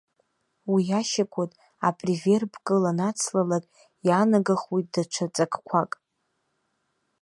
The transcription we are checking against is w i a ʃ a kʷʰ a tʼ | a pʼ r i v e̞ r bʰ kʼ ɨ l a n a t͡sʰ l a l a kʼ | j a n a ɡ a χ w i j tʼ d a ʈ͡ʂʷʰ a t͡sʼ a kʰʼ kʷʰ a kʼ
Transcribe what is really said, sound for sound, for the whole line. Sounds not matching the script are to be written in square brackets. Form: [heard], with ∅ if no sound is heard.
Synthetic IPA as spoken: w i a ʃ a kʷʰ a tʼ | a pʼ r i v e̞ r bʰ kʼ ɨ l a n a t͡sʰ l a l a kʼ | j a n a ɡ a χ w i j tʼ d a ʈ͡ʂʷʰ a t͡sʼ a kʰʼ kʷʰ a kʼ